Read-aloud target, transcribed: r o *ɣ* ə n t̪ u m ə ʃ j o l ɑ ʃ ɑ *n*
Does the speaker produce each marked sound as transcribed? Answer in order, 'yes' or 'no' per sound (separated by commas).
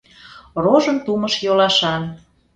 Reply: no, yes